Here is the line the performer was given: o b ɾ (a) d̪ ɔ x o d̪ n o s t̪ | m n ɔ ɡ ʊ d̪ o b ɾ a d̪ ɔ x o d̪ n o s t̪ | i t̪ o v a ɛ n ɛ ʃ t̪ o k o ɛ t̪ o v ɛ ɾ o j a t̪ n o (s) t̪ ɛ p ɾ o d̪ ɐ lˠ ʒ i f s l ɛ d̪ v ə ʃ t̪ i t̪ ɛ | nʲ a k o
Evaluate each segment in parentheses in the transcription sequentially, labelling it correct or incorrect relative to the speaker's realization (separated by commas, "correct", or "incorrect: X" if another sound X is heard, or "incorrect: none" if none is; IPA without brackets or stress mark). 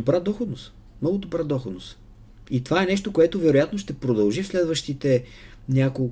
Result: correct, incorrect: ʃ